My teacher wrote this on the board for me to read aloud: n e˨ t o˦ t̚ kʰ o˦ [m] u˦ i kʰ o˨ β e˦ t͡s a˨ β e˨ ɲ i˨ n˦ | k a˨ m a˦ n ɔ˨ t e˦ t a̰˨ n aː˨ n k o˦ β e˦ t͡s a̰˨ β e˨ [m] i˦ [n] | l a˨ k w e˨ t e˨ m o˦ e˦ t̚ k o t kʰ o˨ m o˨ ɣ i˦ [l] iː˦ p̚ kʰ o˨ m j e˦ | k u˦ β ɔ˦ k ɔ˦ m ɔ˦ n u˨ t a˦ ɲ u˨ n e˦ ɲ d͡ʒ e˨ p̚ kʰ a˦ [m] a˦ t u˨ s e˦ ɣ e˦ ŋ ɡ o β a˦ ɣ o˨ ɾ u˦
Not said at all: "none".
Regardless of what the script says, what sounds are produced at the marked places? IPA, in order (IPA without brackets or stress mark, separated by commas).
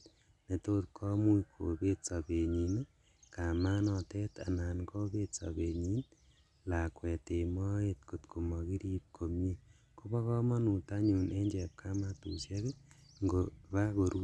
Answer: m, ɲ, n, ɾ, m